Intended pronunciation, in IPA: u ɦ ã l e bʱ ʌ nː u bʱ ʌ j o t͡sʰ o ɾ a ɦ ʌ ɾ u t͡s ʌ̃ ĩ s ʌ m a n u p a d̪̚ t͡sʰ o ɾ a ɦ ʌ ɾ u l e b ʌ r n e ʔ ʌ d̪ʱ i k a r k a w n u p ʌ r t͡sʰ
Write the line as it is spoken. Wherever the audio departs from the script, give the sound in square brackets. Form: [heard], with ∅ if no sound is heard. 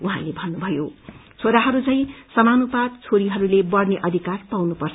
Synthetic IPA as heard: u ɦ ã l e bʱ ʌ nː u bʱ ʌ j o t͡sʰ o ɾ a ɦ ʌ ɾ u t͡s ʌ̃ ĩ s ʌ m a n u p a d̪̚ t͡sʰ o ɾ [i] ɦ ʌ ɾ u l e b ʌ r n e ʔ ʌ d̪ʱ i k a r [p] a w n u p ʌ r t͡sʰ